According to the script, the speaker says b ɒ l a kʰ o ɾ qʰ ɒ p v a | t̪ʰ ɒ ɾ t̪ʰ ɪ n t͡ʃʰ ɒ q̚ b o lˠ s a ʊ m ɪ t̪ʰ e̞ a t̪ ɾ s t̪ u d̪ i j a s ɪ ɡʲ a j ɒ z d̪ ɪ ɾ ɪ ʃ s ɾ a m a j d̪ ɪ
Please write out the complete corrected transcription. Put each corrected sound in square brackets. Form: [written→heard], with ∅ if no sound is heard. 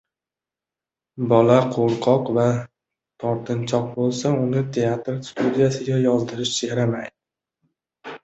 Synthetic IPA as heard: b ɒ l a [kʰ→qʰ] o ɾ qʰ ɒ [p→q] v a | t̪ʰ ɒ ɾ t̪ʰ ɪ n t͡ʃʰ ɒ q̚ b o lˠ s a ʊ [m→n] ɪ t̪ʰ e̞ a t̪ ɾ s t̪ u d̪ i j a s ɪ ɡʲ a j ɒ z d̪ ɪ ɾ ɪ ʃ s ɾ a m a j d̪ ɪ

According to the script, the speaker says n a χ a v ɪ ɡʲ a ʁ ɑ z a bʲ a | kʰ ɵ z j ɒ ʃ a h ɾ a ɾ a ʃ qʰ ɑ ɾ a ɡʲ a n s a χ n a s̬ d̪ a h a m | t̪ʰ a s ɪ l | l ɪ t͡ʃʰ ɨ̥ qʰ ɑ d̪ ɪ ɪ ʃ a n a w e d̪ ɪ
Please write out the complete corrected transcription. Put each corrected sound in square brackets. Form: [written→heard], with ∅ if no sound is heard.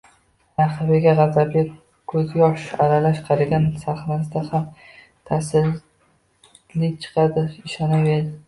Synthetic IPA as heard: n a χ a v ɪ ɡʲ a ʁ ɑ z a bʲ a | kʰ ɵ z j ɒ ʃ a [h→∅] ɾ a [ɾ→l] a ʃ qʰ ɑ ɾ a ɡʲ a n s a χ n a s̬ d̪ a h a m | t̪ʰ a s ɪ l | l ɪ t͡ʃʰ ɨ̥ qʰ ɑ d̪ ɪ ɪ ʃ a n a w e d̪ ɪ

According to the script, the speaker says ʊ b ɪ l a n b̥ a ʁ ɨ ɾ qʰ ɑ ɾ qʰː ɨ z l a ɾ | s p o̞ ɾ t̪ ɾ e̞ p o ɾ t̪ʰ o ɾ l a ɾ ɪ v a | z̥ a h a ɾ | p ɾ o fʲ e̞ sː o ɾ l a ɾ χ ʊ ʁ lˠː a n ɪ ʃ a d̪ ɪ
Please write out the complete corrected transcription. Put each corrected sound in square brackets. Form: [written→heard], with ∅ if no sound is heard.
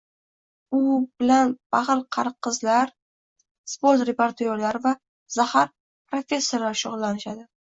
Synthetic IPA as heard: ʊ b ɪ l a n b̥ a ʁ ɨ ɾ qʰ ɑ ɾ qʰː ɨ z l a ɾ | s p o̞ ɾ t̪ ɾ e̞ p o ɾ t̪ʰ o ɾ l a ɾ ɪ v a | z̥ a h a ɾ | p ɾ o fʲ e̞ sː o ɾ l a ɾ [χ→ʃ] ʊ ʁ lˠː a n ɪ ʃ a d̪ ɪ

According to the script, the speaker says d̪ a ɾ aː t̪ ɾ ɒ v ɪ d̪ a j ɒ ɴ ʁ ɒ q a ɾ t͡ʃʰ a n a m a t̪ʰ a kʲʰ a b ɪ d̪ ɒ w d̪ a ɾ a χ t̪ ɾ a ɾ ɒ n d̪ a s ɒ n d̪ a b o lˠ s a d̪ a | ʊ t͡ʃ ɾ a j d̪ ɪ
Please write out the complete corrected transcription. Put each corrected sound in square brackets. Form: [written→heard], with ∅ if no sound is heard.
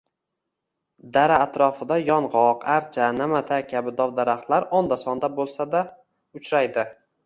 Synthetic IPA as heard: d̪ a ɾ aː t̪ ɾ ɒ [v→f] ɪ d̪ a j ɒ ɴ ʁ ɒ q a ɾ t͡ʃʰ a n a m a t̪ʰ a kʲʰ a b ɪ d̪ ɒ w d̪ a ɾ a χ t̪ [ɾ→l] a ɾ ɒ n d̪ a s ɒ n d̪ a b o lˠ s a d̪ a | ʊ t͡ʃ ɾ a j d̪ ɪ

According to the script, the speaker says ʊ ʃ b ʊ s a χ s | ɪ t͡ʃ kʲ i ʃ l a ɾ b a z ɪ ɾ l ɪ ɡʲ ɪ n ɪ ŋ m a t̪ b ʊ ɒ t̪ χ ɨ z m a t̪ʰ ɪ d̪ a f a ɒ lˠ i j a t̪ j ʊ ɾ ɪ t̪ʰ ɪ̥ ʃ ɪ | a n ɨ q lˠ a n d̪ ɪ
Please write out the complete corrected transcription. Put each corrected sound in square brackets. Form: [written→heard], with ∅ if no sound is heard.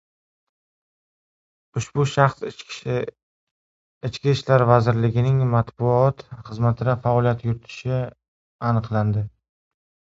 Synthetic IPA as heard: ʊ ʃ b ʊ [s→ʃ] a χ s | ɪ t͡ʃ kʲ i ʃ l a ɾ [b→v] a z ɪ ɾ l ɪ ɡʲ ɪ n ɪ ŋ m a t̪ b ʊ ɒ t̪ χ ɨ z m a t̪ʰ ɪ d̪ a f a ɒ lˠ i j a t̪ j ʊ ɾ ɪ t̪ʰ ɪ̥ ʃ ɪ | a n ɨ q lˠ a n d̪ ɪ

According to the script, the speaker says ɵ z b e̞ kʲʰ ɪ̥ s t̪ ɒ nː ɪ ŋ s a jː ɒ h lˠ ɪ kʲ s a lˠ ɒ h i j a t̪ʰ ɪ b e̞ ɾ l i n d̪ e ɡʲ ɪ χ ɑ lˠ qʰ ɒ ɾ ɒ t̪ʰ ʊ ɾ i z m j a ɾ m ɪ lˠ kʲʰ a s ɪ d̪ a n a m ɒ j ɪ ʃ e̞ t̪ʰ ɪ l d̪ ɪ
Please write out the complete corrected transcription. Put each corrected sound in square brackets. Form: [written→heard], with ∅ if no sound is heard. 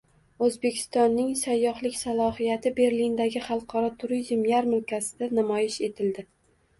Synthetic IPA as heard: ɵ z b e̞ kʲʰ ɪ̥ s t̪ ɒ nː ɪ ŋ s a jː ɒ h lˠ ɪ kʲ s a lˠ ɒ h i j a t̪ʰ ɪ b e̞ ɾ l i n d̪ [e→a] ɡʲ ɪ χ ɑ lˠ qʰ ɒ ɾ ɒ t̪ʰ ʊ ɾ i z m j a ɾ m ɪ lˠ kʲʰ a s ɪ d̪ a n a m ɒ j ɪ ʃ e̞ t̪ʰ ɪ l d̪ ɪ

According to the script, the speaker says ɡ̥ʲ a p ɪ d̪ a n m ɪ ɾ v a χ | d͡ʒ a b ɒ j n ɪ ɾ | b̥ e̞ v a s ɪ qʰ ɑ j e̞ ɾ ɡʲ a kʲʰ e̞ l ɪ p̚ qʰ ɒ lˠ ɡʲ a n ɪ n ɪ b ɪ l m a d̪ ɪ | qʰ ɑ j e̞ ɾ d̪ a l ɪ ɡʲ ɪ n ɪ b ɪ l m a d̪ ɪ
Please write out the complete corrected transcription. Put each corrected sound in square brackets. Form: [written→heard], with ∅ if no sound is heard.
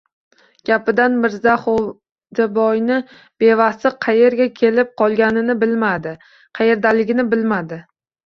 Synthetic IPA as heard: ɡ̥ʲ a p ɪ d̪ a n m ɪ ɾ [v→z] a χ | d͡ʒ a b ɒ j n ɪ [ɾ→∅] | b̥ e̞ v a s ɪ qʰ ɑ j e̞ ɾ ɡʲ a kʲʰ e̞ l ɪ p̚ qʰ ɒ lˠ ɡʲ a n ɪ n ɪ b ɪ l m a d̪ ɪ | qʰ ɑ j e̞ ɾ d̪ a l ɪ ɡʲ ɪ n ɪ b ɪ l m a d̪ ɪ

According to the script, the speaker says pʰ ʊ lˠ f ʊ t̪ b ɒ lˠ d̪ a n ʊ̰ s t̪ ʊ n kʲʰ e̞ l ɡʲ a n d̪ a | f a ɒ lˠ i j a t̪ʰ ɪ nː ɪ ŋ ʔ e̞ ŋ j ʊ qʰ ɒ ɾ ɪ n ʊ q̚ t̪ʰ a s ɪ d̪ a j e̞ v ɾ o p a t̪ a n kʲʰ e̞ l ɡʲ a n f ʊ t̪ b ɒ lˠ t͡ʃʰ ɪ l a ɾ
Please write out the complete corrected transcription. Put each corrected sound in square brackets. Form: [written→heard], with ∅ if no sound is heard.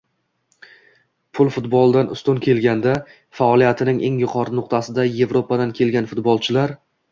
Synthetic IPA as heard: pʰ ʊ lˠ f ʊ t̪ b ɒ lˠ d̪ a n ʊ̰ s t̪ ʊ n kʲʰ e̞ l ɡʲ a n d̪ a | f a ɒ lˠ i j a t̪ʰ ɪ [nː→n] ɪ ŋ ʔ e̞ ŋ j ʊ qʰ ɒ ɾ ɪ n ʊ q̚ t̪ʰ a s ɪ d̪ a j e̞ v ɾ o p a [t̪→d̪] a n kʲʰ e̞ l ɡʲ a n f ʊ t̪ b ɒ lˠ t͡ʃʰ ɪ l a ɾ

